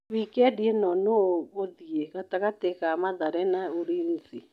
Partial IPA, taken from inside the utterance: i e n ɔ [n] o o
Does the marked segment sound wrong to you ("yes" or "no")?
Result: no